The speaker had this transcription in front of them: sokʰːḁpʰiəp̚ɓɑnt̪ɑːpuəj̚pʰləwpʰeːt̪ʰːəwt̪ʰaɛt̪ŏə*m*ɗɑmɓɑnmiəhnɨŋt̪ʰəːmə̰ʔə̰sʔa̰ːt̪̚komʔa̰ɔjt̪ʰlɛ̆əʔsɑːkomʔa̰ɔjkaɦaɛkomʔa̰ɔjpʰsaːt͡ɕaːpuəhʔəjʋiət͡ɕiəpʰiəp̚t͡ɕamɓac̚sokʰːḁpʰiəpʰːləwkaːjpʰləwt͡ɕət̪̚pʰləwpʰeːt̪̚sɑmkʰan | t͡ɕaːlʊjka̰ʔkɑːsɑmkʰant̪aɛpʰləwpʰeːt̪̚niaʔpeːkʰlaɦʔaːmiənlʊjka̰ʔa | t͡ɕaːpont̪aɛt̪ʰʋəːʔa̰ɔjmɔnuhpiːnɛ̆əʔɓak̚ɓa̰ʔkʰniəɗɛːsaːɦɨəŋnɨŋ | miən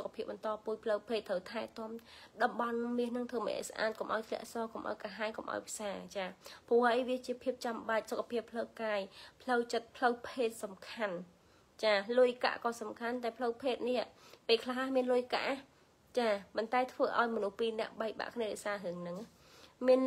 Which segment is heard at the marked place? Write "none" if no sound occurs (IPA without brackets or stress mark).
m